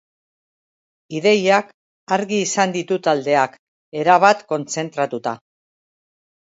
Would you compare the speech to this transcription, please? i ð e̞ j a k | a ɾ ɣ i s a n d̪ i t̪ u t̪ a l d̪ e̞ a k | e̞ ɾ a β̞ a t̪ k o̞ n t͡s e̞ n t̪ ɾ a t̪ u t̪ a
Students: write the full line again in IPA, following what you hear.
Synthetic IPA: i ð e̞ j a k | a ɾ ɣ iː s a n d̪ i t̪ u t̪ a l d̪ e̞ a k | e̞ ɾ a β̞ a t̪ k o̞ n t͡s e̞ n t̪ ɾ a t̪ u t̪ a